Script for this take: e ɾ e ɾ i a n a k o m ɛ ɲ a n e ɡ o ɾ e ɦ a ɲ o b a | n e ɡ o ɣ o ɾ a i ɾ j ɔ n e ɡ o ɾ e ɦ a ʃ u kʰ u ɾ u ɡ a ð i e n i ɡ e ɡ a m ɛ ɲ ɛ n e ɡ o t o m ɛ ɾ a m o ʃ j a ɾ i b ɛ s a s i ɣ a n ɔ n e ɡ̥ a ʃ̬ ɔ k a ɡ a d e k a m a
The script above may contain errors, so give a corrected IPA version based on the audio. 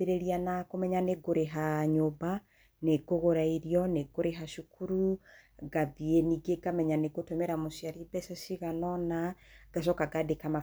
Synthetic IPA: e ɾ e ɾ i a n a k o m ɛ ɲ a n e ɡ o ɾ e ɦ a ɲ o b a | n e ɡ o ɣ o ɾ a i ɾ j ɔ n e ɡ o ɾ e ɦ a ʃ u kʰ u ɾ u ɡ a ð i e n i ɡ e ɡ a m ɛ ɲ a n e ɡ o t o m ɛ ɾ a m o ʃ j a ɾ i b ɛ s a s i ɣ a n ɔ n a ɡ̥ a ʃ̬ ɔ k a ɡ a d e k a m a

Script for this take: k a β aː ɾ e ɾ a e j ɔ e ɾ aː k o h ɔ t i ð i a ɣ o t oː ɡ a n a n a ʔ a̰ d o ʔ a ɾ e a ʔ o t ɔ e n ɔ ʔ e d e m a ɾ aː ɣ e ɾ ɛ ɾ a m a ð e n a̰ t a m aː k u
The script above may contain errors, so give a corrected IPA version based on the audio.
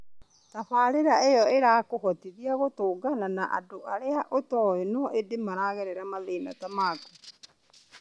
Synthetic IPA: t a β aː ɾ e ɾ a e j ɔ e ɾ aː k o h ɔ t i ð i a ɣ o t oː ɡ a n a n a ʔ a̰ d o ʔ a ɾ e a ʔ o t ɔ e n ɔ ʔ e d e m a ɾ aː ɣ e ɾ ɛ ɾ a m a ð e n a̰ t a m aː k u

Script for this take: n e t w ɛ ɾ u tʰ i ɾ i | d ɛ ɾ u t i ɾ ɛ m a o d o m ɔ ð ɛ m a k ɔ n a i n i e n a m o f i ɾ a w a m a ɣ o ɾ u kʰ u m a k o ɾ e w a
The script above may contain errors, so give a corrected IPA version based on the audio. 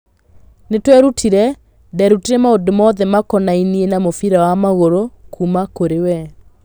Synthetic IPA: n e t w ɛ ɾ u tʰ i ɾ ɛ | d ɛ ɾ u t i ɾ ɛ m a o d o m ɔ ð ɛ m a k ɔ n a i n i e n a m o f i ɾ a w a m a ɣ o ɾ o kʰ u m a k o ɾ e w ɛ

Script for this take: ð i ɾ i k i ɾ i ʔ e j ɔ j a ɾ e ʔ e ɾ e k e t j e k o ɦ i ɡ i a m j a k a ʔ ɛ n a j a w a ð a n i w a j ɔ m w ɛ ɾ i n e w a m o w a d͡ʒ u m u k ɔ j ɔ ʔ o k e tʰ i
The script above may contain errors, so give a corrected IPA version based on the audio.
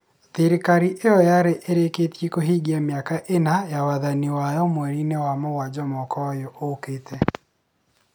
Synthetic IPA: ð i ɾ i k a ɾ i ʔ e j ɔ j a ɾ e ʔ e ɾ e k e t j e k o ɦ i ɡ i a m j a k a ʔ e n a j a w a ð a n i w a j ɔ m w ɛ ɾ i n e w a m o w a d͡ʒ ɔ m ɔ k ɔ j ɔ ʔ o k e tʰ ɛ

